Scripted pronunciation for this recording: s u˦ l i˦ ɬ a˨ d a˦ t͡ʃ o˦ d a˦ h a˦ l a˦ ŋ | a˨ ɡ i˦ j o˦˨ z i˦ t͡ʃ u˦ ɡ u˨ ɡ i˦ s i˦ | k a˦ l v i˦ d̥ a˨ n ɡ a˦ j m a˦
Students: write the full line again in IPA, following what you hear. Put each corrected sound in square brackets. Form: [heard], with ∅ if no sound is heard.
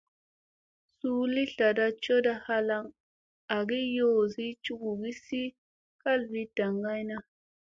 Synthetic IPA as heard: s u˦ l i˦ ɬ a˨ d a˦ t͡ʃ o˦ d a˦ h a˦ l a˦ ŋ | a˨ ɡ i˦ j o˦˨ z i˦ t͡ʃ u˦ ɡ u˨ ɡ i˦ s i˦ | k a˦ l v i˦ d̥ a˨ [ŋ] ɡ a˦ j [n] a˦